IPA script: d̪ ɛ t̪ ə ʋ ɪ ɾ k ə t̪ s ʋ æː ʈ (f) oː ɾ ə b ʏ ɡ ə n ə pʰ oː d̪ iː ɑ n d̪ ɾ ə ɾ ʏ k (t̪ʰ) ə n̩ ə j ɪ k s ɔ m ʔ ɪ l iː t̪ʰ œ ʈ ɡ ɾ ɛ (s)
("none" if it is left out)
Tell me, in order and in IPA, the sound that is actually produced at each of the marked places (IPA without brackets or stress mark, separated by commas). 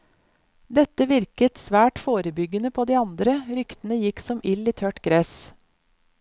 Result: f, t̪, s